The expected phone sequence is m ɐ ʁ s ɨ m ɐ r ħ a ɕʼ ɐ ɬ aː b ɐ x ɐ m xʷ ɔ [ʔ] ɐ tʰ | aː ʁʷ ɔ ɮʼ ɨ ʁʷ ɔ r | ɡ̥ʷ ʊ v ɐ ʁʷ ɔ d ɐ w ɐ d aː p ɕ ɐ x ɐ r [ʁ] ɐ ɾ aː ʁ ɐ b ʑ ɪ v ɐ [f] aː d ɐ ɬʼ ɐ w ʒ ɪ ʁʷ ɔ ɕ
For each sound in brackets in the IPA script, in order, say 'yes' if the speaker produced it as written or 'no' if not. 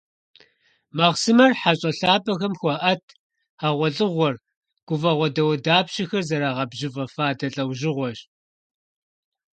yes, no, yes

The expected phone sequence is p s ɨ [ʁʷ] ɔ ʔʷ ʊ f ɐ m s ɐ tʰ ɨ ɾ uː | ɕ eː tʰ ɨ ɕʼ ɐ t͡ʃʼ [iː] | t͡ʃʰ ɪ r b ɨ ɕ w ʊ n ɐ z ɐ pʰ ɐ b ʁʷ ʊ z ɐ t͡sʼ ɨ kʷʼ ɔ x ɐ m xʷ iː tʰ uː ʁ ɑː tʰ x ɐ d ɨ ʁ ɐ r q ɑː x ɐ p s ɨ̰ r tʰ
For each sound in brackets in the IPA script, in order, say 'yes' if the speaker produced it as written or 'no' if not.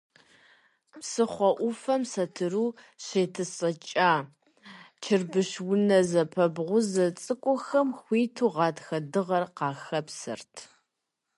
no, no

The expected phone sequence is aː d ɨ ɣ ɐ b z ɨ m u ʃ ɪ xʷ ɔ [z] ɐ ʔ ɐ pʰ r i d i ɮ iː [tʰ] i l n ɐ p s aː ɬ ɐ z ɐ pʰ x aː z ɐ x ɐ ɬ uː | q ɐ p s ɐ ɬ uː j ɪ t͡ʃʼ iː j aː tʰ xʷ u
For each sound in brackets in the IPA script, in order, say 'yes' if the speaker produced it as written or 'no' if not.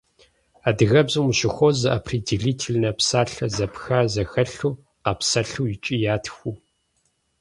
yes, yes

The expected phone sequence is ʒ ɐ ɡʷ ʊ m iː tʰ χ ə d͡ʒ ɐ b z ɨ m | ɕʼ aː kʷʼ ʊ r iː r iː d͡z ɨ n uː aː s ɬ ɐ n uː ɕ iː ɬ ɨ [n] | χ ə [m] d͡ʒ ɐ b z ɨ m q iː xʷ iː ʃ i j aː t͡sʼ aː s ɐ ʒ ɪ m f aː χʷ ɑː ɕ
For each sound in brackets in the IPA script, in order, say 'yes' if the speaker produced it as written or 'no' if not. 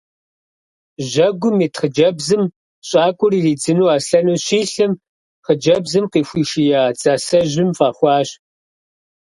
no, no

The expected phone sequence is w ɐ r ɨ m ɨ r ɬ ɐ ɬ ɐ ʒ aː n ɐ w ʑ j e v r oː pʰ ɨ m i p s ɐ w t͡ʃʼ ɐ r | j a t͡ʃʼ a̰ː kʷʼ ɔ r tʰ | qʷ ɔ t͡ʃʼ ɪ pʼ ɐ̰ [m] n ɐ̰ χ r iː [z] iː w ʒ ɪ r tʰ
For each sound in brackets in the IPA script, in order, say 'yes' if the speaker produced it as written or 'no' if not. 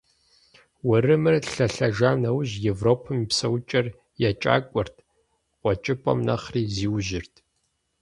yes, yes

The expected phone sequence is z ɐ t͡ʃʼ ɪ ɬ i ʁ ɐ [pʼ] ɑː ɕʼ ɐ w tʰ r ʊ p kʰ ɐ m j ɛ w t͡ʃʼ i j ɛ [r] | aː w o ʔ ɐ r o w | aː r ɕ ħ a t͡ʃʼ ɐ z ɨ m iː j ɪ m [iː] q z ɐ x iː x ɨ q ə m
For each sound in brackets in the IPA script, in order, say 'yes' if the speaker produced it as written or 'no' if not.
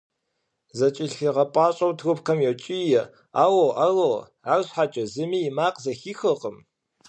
yes, no, no

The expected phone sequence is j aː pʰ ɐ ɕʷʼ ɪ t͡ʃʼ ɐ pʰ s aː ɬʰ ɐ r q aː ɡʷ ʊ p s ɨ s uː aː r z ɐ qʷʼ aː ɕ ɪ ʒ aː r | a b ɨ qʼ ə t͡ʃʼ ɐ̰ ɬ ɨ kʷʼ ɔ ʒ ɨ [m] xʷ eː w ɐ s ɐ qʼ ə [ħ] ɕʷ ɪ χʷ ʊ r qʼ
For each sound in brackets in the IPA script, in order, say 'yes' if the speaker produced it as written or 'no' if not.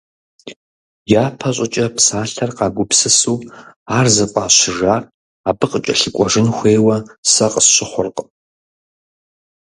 no, no

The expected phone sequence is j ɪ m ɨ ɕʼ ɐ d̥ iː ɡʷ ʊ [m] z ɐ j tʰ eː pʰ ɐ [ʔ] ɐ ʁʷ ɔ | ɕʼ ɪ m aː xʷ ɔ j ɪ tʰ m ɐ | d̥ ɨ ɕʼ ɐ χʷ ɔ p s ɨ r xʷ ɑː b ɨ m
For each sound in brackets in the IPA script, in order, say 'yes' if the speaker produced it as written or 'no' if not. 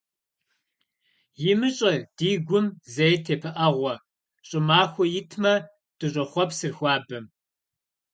yes, yes

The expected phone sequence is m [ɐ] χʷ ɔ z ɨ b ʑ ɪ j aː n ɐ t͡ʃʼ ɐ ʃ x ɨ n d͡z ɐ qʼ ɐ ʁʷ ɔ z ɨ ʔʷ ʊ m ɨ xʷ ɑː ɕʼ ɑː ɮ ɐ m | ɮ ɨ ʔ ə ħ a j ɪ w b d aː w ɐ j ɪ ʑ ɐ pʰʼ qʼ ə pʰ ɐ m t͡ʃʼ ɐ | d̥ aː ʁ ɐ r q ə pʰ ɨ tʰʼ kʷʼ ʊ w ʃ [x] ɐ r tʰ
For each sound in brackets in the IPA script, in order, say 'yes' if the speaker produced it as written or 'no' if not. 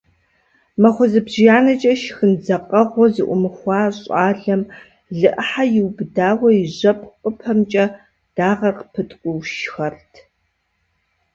yes, yes

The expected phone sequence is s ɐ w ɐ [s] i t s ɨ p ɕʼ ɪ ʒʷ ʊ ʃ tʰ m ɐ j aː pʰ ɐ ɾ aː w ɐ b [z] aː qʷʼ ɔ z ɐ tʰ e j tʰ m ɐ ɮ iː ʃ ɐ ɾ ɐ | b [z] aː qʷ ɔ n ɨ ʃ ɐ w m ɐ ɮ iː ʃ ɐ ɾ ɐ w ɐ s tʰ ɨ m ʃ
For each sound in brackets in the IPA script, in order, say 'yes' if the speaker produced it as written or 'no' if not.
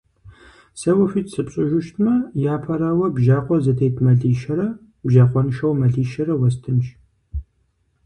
no, no, no

